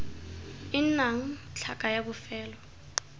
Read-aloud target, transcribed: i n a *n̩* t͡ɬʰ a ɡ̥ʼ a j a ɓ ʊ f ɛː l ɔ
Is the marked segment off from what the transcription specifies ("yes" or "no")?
yes